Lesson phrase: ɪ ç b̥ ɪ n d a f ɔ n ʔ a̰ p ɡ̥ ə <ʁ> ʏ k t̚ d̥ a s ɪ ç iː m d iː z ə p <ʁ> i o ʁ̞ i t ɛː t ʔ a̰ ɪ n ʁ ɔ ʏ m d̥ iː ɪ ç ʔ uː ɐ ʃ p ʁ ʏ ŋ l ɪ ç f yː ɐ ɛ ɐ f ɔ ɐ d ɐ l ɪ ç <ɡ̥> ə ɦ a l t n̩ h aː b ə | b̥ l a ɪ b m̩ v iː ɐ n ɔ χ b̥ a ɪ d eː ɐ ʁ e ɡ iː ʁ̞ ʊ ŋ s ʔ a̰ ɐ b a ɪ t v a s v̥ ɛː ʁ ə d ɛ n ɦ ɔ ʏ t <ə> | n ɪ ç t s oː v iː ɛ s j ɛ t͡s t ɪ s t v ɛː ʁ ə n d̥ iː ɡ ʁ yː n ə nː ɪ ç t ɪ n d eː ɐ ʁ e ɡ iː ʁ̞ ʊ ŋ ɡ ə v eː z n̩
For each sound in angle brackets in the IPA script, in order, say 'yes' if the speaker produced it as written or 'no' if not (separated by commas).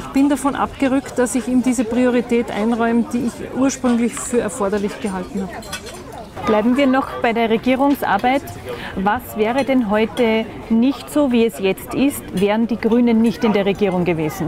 yes, yes, yes, yes